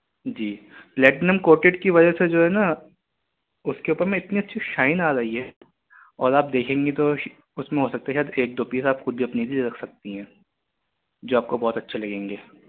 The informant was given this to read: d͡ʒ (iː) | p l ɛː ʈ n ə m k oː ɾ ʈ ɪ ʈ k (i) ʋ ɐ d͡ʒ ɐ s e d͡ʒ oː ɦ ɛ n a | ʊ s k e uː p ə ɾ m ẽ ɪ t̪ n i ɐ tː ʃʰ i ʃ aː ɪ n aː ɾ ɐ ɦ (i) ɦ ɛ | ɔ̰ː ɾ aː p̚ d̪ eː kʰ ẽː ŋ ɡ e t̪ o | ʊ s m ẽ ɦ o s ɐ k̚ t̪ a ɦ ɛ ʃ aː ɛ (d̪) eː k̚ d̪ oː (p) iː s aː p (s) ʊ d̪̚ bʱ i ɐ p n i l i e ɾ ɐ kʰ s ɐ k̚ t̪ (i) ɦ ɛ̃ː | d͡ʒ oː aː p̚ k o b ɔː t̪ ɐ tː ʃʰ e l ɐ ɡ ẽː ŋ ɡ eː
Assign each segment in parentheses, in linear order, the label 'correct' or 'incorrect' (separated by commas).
correct, correct, correct, correct, correct, incorrect, correct